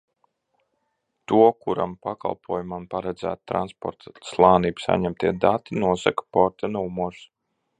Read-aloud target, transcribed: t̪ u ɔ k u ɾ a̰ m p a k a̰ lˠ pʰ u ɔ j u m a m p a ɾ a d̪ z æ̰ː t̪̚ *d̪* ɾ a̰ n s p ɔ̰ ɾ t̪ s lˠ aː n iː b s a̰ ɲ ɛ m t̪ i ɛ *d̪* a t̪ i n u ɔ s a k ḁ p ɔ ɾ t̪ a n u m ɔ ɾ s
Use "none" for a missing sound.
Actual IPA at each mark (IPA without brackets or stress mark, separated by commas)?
t̪, d̪